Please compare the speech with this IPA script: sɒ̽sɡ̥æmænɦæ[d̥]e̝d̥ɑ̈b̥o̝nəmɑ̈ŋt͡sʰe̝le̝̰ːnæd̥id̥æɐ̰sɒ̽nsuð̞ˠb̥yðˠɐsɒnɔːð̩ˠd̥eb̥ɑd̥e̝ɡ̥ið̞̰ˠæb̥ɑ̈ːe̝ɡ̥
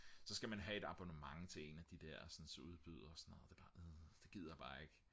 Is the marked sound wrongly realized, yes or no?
yes